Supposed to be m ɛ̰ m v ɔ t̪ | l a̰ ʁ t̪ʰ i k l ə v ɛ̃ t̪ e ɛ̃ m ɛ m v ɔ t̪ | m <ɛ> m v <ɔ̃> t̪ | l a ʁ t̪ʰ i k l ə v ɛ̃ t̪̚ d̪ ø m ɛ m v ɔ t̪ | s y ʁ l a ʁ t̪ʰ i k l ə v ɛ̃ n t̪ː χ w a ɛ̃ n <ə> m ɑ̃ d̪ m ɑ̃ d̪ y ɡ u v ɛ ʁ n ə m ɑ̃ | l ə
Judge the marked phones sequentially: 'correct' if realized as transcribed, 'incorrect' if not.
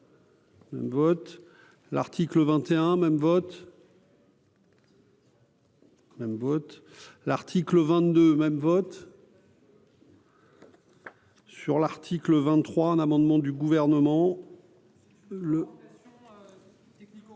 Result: correct, incorrect, incorrect

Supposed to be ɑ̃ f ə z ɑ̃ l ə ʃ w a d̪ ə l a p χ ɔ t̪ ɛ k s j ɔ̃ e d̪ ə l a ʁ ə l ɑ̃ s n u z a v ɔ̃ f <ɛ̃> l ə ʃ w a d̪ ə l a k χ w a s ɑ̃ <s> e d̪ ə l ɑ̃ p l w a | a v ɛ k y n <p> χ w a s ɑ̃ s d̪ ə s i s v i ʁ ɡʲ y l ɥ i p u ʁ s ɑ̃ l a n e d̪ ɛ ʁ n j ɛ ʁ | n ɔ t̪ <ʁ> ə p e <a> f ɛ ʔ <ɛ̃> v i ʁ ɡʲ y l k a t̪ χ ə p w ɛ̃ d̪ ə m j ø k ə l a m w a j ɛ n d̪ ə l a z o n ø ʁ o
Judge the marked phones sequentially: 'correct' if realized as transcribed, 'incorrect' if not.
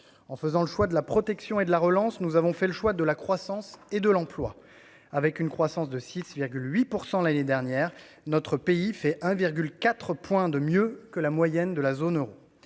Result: incorrect, correct, incorrect, incorrect, incorrect, correct

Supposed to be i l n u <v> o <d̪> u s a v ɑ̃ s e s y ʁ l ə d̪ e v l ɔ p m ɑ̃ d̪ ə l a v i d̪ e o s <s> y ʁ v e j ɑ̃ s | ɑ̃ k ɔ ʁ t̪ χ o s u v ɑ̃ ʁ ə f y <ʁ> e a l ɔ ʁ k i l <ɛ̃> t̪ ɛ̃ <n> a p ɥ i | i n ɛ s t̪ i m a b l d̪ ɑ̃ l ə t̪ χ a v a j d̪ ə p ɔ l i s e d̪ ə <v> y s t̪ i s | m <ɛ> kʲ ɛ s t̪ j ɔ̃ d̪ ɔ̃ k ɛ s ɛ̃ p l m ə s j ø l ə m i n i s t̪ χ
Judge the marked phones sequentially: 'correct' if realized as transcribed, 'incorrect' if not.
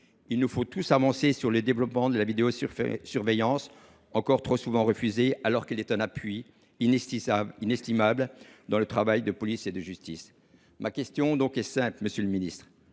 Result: incorrect, incorrect, correct, incorrect, incorrect, correct, incorrect, incorrect

